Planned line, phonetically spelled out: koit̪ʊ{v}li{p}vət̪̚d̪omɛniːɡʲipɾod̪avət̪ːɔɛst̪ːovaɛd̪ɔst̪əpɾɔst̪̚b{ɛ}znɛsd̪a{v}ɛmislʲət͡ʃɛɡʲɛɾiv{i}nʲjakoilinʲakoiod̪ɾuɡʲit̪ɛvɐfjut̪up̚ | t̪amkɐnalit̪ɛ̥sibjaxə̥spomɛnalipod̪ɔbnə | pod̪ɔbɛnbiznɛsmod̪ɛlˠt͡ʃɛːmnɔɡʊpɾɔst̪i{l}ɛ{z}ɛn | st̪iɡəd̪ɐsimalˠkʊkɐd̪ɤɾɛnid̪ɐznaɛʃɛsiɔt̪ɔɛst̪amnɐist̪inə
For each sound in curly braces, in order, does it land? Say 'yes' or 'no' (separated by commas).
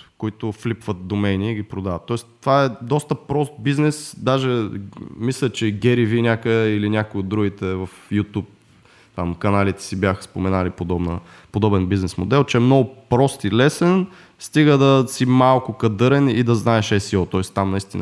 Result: no, yes, no, no, yes, yes, no